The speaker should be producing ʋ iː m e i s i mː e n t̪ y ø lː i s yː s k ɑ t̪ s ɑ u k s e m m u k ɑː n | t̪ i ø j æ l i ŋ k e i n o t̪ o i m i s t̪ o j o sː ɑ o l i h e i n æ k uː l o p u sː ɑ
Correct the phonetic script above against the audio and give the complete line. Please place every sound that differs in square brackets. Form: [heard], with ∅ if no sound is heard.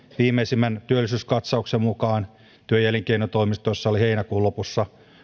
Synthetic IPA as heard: ʋ iː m e i s i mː [æ] n t̪ y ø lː i s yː s k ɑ t̪ s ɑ u k s e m m u k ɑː n | t̪ [y] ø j æ l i ŋ k e i n o t̪ o i m i s t̪ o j o sː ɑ o l i h e i n æ k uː l o p u sː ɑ